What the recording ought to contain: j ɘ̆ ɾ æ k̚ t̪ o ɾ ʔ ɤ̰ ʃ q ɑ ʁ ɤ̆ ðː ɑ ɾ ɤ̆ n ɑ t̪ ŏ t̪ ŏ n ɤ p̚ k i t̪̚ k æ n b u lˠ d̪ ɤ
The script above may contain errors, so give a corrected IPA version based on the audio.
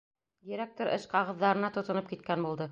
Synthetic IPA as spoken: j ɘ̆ ɾ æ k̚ t̪ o ɾ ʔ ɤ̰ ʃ q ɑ ʁ ɤ̆ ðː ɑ ɾ ɤ̆ n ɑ t̪ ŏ t̪ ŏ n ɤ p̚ k i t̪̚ k æ n b u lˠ d̪ ɤ